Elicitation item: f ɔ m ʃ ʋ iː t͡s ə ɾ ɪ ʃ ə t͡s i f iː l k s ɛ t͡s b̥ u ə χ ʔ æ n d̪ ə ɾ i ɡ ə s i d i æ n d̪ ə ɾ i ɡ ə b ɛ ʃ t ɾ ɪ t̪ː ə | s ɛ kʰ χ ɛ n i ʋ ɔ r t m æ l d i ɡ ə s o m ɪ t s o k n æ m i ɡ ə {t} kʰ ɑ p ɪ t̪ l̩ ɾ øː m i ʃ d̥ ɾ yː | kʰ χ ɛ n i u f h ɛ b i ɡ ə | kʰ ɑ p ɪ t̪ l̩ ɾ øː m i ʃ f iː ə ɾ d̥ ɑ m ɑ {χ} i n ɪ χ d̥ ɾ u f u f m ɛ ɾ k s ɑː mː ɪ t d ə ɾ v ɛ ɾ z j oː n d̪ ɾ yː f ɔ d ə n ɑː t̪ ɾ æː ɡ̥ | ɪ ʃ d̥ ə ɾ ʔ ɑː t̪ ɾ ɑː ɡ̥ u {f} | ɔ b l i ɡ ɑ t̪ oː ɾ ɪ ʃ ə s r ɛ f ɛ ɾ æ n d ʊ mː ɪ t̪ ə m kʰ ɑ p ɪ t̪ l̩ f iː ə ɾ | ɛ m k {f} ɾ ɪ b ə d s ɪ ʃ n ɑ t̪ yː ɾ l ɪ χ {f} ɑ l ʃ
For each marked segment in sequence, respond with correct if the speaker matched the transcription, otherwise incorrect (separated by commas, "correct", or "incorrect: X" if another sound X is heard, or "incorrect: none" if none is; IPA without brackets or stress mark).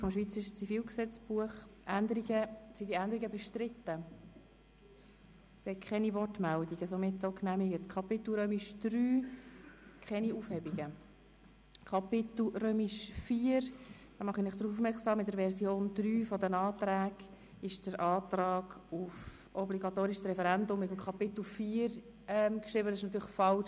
correct, correct, correct, incorrect: ʃ, correct